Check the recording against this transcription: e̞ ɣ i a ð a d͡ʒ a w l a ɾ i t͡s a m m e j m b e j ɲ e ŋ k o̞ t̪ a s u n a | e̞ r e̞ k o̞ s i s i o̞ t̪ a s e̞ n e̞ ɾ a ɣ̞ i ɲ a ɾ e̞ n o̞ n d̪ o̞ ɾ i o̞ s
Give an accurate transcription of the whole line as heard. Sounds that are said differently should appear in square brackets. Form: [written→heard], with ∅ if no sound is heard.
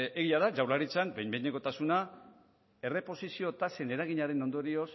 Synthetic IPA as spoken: e̞ ɣ i a ð a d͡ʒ a w l a ɾ i t͡s a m [m→b] e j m b e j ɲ e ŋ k o̞ t̪ a s u n a | e̞ r e̞ [k→p] o̞ s i s i o̞ t̪ a s e̞ n e̞ ɾ a ɣ̞ i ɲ a ɾ e̞ n o̞ n d̪ o̞ ɾ i o̞ s